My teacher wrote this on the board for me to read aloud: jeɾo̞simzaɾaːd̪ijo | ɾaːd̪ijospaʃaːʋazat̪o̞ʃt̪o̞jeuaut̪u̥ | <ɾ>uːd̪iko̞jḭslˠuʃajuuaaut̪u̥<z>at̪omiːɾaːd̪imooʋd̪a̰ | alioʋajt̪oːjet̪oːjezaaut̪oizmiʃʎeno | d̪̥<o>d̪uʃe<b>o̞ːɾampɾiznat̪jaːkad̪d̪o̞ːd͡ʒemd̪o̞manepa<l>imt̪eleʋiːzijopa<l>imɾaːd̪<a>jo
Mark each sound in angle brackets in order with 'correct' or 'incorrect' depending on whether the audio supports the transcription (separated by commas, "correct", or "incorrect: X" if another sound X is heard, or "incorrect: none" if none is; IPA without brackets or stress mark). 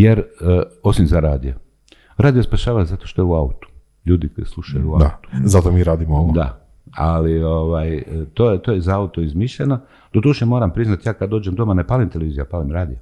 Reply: incorrect: ʎ, correct, correct, incorrect: m, correct, correct, incorrect: i